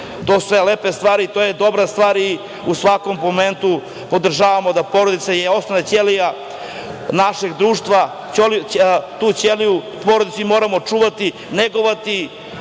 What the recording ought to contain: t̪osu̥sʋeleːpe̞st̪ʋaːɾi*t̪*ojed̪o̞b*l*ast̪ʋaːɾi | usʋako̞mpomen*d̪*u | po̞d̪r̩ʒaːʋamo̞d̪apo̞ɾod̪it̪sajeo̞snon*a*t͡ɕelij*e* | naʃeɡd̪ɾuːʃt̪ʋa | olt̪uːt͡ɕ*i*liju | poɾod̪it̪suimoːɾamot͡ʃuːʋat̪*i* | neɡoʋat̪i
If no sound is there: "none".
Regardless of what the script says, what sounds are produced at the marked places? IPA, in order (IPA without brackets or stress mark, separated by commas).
t̪, ɾ, t̪, a, a, e, i